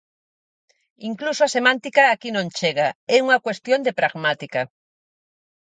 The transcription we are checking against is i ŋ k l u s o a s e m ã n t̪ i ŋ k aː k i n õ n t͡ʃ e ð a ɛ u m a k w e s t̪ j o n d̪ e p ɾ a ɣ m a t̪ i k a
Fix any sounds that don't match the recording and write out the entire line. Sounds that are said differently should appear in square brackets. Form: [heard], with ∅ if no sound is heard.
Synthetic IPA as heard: i ŋ k l u s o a s e m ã n t̪ i [∅] k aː k i n õ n t͡ʃ e [ɣ] a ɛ u [ŋ] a k w e s t̪ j o n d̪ e p ɾ a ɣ m a t̪ i k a